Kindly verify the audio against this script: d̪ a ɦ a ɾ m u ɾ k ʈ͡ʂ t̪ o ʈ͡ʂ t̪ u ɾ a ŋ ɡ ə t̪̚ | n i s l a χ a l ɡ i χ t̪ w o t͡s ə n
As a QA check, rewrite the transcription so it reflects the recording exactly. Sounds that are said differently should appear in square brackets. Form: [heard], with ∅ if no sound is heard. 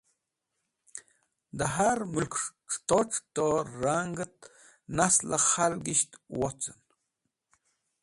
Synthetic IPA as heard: d̪ a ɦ a ɾ m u [l] k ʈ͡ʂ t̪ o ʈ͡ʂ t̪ [o] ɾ a ŋ ɡ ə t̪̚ | n [a] s l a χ a l ɡ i [ʃ] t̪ w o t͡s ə n